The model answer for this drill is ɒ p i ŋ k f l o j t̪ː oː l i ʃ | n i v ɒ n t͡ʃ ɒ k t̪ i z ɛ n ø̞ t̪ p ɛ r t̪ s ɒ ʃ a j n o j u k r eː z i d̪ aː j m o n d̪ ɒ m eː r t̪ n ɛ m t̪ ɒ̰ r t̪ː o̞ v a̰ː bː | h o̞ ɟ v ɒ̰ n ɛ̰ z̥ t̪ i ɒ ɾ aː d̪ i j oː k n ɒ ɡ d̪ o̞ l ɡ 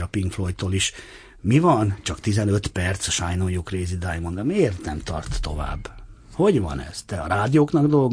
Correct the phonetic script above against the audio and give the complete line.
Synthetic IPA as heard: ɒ p i ŋ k f l o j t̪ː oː l i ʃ | m i v ɒ n t͡ʃ ɒ k t̪ i z ɛ n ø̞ t̪ p ɛ r t̪ s ɒ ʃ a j n o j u k r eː z i d̪ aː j m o n d̪ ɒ m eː r t̪ n ɛ m t̪ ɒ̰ r t̪ː o̞ v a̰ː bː | h o̞ ɟ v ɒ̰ n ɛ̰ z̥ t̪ ɛ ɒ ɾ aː d̪ i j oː k n ɒ ɡ d̪ o̞ l ɡ